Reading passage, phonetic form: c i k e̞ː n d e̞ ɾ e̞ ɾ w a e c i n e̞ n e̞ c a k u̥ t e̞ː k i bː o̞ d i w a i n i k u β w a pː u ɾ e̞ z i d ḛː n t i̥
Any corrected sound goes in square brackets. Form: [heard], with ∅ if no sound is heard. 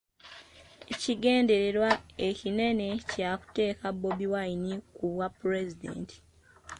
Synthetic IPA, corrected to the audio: c i [ɡ] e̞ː n d e̞ ɾ e̞ ɾ w a e c i n e̞ n e̞ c a k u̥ t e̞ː k [a] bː o̞ [b] i w a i n i k u β w a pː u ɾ e̞ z i d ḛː n t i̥